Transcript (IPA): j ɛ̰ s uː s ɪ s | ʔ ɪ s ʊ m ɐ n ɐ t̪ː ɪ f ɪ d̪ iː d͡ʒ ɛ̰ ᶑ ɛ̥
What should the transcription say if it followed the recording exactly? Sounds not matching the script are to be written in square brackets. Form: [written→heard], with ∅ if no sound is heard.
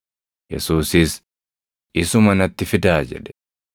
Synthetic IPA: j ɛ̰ s uː s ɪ s | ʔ ɪ s ʊ m ɐ n ɐ t̪ː ɪ f ɪ d̪ [iː→aː] d͡ʒ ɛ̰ ᶑ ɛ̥